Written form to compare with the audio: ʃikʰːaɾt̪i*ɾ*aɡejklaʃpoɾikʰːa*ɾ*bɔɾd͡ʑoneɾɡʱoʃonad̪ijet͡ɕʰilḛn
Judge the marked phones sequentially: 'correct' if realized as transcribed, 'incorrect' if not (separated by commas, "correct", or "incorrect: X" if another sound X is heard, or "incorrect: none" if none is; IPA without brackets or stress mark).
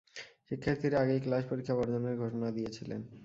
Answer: correct, incorrect: none